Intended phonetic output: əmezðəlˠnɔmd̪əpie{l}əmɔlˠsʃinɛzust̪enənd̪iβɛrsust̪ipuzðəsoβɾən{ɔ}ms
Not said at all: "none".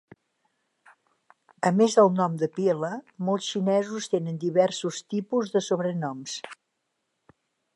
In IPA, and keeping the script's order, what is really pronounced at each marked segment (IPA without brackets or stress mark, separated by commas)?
l, ɔ